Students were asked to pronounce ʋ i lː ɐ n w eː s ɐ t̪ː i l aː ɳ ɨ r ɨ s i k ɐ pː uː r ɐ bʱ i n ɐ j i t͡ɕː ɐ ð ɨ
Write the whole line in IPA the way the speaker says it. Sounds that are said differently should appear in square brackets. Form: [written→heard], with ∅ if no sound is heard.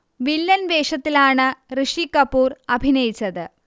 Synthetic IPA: ʋ i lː ɐ n [w→ʋ] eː [s→ʂ] ɐ t̪ː i l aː ɳ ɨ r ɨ [s→ʂ] i k ɐ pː uː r ɐ bʱ i n ɐ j i t͡ɕː ɐ ð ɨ